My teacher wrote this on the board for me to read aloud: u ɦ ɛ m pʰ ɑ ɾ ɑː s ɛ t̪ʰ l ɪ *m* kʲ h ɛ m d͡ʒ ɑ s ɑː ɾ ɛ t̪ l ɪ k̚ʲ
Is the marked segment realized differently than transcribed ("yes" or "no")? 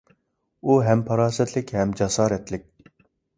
yes